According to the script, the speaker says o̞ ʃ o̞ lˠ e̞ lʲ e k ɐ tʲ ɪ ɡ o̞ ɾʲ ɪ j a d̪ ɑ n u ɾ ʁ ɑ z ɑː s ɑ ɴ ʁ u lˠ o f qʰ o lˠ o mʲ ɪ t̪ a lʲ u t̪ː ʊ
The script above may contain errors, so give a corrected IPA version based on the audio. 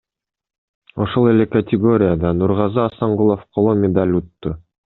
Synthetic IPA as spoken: o̞ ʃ o̞ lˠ e̞ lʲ e k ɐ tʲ ɪ ɡ o̞ ɾʲ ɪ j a d̪ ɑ n u ɾ ʁ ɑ z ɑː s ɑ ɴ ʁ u lˠ o f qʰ o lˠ o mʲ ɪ d̪ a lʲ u t̪ː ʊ